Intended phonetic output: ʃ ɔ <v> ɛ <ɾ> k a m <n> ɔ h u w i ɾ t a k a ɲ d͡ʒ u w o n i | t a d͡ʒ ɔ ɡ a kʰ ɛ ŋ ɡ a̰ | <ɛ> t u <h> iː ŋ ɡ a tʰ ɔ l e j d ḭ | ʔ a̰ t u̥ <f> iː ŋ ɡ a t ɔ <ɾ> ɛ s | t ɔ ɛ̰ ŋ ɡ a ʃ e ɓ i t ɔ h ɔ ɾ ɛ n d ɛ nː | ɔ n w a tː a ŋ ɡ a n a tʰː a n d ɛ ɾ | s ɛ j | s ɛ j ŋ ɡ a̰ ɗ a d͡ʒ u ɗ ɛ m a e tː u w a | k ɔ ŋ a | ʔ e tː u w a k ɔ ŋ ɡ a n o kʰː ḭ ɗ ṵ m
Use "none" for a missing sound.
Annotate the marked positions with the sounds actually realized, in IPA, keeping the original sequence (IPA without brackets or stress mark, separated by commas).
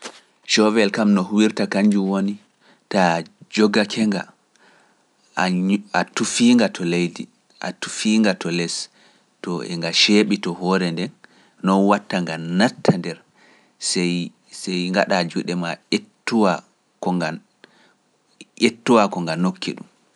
v, l, n, a, f, f, l